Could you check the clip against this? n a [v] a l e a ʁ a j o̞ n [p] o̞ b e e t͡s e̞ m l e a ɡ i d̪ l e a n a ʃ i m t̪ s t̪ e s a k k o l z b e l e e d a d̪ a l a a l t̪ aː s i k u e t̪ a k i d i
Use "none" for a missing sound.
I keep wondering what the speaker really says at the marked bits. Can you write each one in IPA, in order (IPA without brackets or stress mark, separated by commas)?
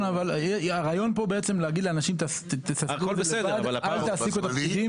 v, p